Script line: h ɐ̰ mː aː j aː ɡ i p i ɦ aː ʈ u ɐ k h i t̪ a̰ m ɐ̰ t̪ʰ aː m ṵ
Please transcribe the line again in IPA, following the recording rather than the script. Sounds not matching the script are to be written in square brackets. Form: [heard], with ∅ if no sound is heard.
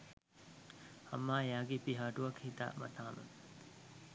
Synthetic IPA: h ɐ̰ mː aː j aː ɡ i p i ɦ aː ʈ u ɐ k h i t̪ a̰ m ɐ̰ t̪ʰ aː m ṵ

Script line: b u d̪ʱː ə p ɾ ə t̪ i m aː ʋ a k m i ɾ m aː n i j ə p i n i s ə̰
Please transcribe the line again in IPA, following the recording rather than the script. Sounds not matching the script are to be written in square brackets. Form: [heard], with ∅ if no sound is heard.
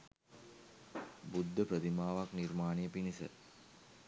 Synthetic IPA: b u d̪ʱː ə p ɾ ə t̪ i m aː ʋ a k [n] i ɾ m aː n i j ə p i n i s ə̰

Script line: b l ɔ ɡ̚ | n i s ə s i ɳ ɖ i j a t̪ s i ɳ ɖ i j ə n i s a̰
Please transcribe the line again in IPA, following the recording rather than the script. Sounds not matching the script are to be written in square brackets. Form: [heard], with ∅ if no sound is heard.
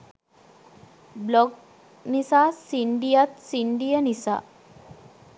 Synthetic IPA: b l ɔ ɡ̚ | n i s [a] s i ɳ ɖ i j a t̪ s i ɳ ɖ i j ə n i s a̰

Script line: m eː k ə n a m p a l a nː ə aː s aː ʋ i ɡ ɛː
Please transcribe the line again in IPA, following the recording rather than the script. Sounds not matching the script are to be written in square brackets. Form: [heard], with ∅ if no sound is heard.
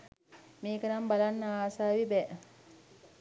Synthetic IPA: m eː k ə n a m [b] a l a nː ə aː s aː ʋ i [b] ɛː

